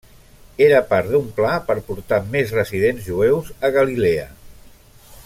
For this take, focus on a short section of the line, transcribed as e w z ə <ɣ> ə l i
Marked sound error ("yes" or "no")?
no